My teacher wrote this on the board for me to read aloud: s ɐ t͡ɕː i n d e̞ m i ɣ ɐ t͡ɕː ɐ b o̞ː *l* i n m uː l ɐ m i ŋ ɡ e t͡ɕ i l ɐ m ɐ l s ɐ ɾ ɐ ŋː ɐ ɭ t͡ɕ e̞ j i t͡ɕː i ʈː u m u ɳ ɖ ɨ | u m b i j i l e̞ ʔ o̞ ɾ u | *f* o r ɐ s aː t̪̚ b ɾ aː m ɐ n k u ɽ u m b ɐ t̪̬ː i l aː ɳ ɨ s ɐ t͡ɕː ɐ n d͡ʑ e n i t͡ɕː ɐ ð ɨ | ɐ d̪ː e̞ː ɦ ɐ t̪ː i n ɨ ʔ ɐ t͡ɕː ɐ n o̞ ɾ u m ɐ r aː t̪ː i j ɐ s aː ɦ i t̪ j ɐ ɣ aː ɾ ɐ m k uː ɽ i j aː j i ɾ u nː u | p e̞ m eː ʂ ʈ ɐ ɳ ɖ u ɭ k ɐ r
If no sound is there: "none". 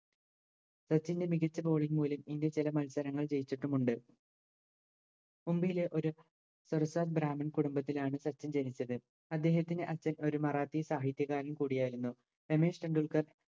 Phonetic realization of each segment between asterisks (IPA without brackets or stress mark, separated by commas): ɭ, s